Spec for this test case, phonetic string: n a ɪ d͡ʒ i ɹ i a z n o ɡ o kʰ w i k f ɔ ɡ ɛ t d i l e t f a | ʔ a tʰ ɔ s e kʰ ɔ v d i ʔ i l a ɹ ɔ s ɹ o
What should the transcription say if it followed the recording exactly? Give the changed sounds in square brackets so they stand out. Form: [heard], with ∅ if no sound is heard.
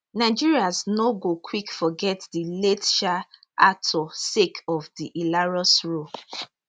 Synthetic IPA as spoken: n a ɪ d͡ʒ i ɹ i a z n o ɡ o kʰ w i k f ɔ ɡ ɛ t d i l e t [ʃ] a | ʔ a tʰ ɔ s e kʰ ɔ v d i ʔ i l a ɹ ɔ s ɹ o